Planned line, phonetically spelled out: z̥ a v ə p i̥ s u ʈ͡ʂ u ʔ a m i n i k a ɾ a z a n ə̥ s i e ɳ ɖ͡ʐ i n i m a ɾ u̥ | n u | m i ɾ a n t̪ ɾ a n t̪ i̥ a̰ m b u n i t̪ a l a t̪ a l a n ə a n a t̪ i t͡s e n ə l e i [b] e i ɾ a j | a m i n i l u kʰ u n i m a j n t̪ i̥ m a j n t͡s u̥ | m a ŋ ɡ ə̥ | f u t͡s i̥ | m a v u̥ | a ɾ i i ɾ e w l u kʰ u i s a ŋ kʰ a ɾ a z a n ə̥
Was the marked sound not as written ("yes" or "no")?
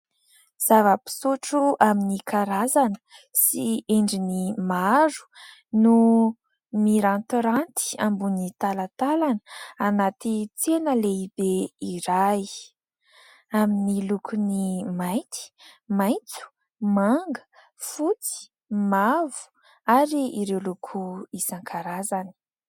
no